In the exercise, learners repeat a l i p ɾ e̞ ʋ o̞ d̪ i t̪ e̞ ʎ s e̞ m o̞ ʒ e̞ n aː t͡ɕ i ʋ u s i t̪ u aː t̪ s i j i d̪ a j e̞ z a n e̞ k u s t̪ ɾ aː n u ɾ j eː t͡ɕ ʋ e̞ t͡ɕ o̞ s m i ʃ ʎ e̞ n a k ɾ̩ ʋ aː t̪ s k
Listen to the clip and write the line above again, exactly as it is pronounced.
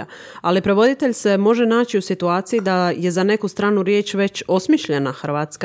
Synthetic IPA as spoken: a l i p ɾ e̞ ʋ o̞ d̪ i t̪ e̞ ʎ s e̞ m o̞ ʒ e̞ n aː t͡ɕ i u s i t̪ u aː t̪ s i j i d̪ a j e̞ z a n e̞ k u s t̪ ɾ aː n u ɾ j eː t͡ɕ ʋ e̞ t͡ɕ o̞ s m i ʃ ʎ e̞ n a x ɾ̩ ʋ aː t̪ s k